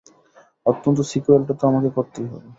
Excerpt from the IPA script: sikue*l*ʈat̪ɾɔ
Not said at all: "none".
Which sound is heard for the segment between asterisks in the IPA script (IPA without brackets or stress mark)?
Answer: l